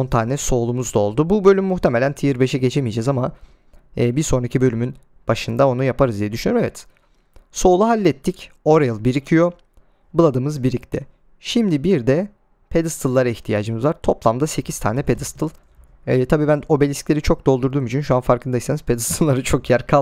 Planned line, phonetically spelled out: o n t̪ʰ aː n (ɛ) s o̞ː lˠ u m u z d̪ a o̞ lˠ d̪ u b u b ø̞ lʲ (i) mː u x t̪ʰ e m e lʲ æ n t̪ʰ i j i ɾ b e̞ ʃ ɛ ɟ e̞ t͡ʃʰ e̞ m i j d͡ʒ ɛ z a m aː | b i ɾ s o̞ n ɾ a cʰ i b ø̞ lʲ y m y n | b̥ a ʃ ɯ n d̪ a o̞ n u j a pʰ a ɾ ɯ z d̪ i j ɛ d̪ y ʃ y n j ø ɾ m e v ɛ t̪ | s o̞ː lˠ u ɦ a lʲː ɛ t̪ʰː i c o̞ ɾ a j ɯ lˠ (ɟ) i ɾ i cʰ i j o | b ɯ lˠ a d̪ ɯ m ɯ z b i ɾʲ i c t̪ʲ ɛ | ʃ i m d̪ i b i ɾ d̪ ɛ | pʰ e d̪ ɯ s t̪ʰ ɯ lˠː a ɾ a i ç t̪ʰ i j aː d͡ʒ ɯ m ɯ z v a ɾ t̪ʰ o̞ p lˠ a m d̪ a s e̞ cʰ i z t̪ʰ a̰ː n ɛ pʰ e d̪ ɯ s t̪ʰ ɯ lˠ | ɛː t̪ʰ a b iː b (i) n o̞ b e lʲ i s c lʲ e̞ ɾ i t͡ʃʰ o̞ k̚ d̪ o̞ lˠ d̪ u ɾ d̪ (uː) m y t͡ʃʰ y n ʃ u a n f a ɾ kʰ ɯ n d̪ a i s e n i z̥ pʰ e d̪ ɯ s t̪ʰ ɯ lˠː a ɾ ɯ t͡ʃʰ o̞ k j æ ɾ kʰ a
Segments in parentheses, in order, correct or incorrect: correct, incorrect: y, incorrect: b, incorrect: æ, correct

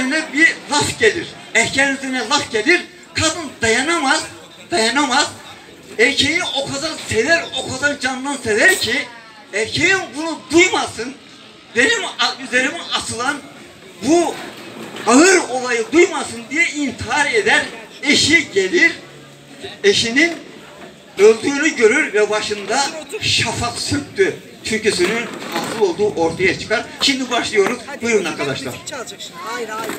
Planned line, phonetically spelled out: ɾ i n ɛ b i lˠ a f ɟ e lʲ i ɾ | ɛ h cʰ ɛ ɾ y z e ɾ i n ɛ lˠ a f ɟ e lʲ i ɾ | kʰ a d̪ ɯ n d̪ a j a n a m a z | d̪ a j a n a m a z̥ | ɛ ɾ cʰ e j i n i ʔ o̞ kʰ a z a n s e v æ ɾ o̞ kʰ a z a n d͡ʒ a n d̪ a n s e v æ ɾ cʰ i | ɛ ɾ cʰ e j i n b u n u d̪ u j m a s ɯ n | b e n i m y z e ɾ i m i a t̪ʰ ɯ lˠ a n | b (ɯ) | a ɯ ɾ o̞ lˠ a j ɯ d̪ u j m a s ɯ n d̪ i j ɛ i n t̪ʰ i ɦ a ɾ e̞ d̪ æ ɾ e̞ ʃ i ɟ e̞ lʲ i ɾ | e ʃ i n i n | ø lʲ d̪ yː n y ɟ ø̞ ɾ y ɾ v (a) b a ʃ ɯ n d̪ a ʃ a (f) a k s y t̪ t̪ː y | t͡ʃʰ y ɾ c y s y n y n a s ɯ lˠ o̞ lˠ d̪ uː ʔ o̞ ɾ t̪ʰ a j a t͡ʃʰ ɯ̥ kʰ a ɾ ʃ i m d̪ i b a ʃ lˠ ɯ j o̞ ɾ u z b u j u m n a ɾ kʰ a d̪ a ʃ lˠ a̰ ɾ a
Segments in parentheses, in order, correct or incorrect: incorrect: u, incorrect: ɛ, correct

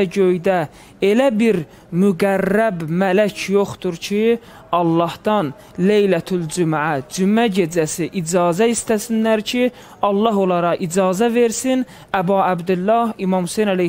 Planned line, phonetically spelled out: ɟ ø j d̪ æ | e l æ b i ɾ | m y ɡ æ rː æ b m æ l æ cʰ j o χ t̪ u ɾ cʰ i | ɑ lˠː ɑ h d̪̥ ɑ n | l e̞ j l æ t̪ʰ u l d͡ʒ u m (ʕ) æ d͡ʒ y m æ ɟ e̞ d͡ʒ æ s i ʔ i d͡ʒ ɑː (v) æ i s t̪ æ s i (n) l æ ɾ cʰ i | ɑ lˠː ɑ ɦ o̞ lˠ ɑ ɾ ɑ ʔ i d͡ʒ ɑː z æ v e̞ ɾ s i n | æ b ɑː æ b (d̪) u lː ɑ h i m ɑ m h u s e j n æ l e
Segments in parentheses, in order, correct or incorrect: correct, incorrect: z, correct, correct

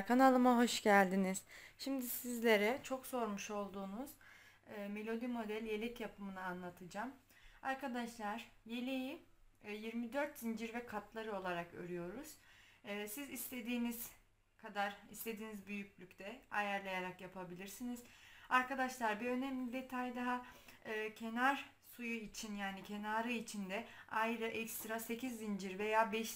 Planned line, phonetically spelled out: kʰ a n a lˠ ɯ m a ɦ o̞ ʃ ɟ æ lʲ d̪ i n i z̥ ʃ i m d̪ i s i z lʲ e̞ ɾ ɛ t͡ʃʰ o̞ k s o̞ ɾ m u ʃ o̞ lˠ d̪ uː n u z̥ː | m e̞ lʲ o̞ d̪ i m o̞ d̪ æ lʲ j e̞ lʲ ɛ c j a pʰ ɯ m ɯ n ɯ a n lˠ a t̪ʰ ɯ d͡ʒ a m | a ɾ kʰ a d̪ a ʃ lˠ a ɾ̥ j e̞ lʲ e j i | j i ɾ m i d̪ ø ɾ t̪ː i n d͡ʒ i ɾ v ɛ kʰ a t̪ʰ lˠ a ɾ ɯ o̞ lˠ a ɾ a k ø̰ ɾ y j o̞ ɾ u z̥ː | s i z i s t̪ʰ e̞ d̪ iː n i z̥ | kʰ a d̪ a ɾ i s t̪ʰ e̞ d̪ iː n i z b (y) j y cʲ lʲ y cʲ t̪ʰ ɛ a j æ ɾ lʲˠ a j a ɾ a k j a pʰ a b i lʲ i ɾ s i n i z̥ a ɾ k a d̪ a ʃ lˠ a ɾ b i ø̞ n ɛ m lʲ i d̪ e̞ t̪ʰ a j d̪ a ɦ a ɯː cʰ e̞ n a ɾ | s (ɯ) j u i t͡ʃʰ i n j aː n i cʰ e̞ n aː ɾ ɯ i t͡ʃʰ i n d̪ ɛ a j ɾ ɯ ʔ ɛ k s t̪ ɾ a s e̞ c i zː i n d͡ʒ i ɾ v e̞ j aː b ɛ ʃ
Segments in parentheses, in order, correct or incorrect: correct, incorrect: u

